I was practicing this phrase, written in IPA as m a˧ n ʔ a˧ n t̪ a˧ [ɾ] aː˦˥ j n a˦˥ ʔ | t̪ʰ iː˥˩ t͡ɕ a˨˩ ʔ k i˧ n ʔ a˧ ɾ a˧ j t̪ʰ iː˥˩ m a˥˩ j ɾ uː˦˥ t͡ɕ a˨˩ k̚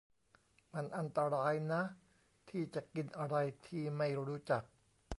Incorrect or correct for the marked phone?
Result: correct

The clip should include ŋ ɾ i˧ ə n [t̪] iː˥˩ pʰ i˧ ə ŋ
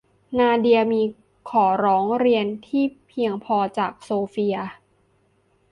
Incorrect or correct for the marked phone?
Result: incorrect: t̪ʰ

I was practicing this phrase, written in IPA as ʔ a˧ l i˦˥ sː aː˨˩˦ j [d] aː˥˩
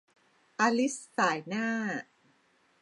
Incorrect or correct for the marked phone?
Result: incorrect: n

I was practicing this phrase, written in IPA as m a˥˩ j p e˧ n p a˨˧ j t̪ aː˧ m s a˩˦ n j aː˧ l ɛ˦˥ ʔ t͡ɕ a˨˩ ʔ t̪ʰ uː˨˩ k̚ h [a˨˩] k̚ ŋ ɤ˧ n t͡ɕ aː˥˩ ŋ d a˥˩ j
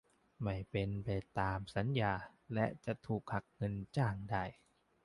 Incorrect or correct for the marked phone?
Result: correct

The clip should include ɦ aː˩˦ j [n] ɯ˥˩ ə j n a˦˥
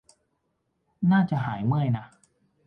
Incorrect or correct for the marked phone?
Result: incorrect: m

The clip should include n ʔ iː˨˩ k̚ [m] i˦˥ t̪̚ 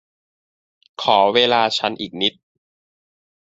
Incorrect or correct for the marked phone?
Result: incorrect: n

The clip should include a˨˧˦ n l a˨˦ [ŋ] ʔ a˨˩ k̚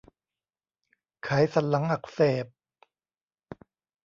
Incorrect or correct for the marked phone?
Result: correct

